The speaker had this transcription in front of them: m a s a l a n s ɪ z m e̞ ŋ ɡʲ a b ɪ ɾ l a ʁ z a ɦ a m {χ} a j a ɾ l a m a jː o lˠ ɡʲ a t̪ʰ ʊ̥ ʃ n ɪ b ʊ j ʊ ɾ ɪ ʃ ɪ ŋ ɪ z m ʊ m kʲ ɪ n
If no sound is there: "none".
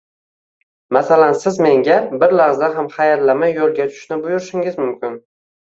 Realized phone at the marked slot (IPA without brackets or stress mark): χ